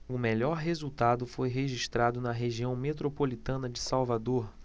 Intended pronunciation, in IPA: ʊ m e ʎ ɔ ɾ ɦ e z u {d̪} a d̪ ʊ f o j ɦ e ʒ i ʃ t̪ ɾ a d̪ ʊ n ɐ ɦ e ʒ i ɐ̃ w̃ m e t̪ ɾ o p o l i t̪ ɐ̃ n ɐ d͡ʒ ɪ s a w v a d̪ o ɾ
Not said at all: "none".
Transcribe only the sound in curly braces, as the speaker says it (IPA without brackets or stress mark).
t̪